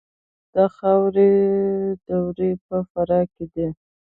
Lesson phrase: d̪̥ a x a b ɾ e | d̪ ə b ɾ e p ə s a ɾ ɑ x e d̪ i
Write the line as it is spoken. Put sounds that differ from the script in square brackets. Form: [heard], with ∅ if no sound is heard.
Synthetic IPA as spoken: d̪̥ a x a [w] ɾ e | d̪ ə [w] ɾ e p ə [f] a ɾ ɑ [k] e d̪ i